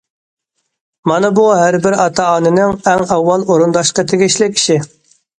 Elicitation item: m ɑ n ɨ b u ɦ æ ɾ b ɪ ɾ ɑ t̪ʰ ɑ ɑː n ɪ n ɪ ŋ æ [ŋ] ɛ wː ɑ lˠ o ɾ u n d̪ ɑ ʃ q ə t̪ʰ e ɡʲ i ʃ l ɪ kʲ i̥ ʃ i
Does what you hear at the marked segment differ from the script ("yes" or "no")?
no